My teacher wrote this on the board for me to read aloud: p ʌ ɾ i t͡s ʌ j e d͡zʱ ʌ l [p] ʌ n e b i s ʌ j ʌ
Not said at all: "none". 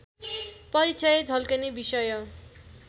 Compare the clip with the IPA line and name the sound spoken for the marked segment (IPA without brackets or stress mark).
k